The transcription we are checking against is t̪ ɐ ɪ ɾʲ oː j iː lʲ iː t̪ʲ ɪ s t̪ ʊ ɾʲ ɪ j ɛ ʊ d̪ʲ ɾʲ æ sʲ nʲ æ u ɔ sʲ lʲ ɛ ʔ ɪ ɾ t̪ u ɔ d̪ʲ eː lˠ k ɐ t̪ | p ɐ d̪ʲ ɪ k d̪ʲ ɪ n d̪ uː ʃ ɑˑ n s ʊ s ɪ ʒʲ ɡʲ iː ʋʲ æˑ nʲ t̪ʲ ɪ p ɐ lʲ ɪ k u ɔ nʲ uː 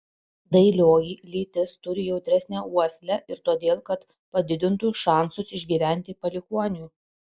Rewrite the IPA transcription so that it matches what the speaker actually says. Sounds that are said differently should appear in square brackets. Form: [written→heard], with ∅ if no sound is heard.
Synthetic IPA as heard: [t̪→d̪] ɐ ɪ [ɾʲ→lʲ] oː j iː lʲ iː t̪ʲ ɪ s t̪ ʊ ɾʲ ɪ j ɛ ʊ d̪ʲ ɾʲ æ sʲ nʲ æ u ɔ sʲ lʲ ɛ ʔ ɪ ɾ t̪ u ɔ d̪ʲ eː lˠ k ɐ t̪ | p ɐ d̪ʲ ɪ [k→∅] d̪ʲ ɪ n [d̪→t̪] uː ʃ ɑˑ n s ʊ s ɪ ʒʲ ɡʲ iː ʋʲ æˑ nʲ t̪ʲ ɪ p ɐ lʲ ɪ k u ɔ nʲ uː

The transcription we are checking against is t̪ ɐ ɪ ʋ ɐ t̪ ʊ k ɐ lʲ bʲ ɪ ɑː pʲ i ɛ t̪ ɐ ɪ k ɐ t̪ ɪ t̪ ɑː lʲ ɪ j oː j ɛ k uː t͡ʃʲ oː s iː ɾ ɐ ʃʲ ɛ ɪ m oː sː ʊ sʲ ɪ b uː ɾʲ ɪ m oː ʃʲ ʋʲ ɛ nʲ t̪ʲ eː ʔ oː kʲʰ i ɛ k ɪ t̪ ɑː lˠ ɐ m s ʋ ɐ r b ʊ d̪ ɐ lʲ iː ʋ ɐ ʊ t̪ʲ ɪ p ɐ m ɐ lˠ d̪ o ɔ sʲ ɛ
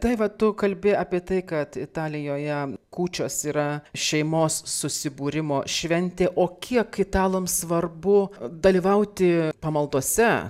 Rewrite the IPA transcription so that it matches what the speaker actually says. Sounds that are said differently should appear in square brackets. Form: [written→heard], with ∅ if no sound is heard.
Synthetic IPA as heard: t̪ ɐ ɪ ʋ ɐ t̪ ʊ k ɐ lʲ bʲ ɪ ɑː pʲ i ɛ t̪ ɐ ɪ k ɐ t̪ ɪ t̪ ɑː lʲ ɪ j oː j ɛ k uː t͡ʃʲ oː s iː ɾ ɐ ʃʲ ɛ ɪ m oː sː ʊ sʲ ɪ b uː ɾʲ ɪ m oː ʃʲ ʋʲ ɛ nʲ t̪ʲ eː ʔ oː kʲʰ i ɛ k ɪ t̪ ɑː lˠ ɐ m s ʋ ɐ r b ʊ d̪ ɐ lʲ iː ʋ ɐ ʊ t̪ʲ ɪ p ɐ m ɐ lˠ d̪ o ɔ sʲ ɛ

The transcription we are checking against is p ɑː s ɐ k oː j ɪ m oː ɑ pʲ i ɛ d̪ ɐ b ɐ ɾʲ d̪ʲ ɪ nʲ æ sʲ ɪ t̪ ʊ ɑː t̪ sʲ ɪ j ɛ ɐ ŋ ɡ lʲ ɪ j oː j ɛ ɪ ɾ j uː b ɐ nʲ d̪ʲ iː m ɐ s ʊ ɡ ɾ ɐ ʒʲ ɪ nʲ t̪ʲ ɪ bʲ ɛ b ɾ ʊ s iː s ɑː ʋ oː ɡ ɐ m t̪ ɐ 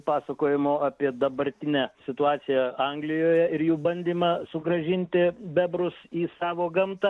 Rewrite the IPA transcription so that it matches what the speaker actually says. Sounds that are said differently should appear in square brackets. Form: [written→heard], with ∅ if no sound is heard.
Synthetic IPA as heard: p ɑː s ɐ k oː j ɪ m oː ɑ pʲ i ɛ d̪ ɐ b ɐ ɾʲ [d̪ʲ→t̪ʲ] ɪ nʲ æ sʲ ɪ t̪ ʊ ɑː t̪ sʲ ɪ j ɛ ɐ ŋ ɡ lʲ ɪ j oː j ɛ ɪ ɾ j uː b ɐ nʲ d̪ʲ iː m ɐ s ʊ ɡ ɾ ɐ ʒʲ ɪ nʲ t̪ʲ ɪ bʲ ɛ b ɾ ʊ s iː s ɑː ʋ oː ɡ ɐ m t̪ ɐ

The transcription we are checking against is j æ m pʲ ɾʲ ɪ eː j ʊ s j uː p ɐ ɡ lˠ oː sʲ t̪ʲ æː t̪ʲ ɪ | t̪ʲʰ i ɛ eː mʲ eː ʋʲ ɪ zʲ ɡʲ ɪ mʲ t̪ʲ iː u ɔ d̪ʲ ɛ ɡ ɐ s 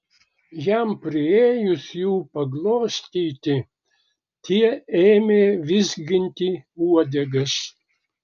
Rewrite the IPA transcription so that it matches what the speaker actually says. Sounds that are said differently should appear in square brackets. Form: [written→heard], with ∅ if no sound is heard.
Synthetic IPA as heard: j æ m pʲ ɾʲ ɪ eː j ʊ s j uː p ɐ ɡ lˠ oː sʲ t̪ʲ [æː→iː] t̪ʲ ɪ | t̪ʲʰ i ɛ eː mʲ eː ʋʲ ɪ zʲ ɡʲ ɪ [mʲ→nʲ] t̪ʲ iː u ɔ d̪ʲ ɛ ɡ ɐ s

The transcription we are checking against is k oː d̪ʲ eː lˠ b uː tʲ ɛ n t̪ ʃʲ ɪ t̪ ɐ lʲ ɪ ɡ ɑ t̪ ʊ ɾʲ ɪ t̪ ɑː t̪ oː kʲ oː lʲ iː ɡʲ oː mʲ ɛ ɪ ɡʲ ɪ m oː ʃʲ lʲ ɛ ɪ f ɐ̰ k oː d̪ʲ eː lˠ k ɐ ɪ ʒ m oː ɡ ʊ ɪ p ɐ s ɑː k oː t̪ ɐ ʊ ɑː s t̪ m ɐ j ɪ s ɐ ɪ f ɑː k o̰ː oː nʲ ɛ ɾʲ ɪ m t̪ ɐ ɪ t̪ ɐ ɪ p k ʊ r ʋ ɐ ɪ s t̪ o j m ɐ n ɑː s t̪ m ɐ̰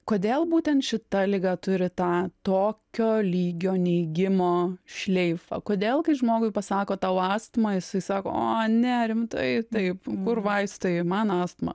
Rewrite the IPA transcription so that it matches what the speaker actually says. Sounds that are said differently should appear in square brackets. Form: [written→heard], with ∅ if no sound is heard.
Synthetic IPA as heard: k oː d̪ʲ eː lˠ b uː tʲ ɛ n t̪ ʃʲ ɪ t̪ ɐ lʲ ɪ ɡ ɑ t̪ ʊ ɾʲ ɪ t̪ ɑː t̪ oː kʲ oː lʲ iː ɡʲ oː [mʲ→nʲ] ɛ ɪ ɡʲ ɪ m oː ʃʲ lʲ ɛ ɪ f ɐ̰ k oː d̪ʲ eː lˠ k ɐ ɪ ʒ m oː ɡ ʊ ɪ p ɐ s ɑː k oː t̪ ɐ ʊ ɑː s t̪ m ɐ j ɪ s ɐ ɪ [f→s] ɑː k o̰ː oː nʲ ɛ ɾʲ ɪ m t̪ ɐ ɪ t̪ ɐ ɪ p k ʊ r ʋ ɐ ɪ s t̪ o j m ɐ n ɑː s t̪ m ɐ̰

